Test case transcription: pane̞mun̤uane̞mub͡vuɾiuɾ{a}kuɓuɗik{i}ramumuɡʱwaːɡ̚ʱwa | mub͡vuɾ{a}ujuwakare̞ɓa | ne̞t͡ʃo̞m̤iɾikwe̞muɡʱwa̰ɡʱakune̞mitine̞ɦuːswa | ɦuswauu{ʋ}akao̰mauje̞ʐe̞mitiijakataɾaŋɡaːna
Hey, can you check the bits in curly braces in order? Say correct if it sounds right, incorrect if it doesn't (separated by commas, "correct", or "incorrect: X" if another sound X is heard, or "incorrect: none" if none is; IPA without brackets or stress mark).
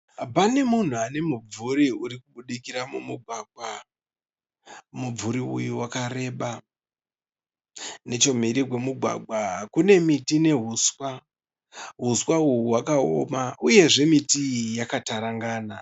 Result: incorrect: i, correct, incorrect: i, incorrect: w